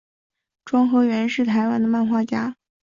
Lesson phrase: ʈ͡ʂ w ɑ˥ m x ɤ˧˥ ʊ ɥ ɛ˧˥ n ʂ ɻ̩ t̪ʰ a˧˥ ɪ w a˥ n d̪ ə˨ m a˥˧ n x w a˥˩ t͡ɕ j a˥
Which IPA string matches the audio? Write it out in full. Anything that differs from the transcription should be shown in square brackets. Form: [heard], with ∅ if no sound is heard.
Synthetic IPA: ʈ͡ʂ w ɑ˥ [ŋ] x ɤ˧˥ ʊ ɥ ɛ˧˥ n ʂ ɻ̩ t̪ʰ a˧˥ ɪ w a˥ n d̪ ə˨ m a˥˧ n x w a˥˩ t͡ɕ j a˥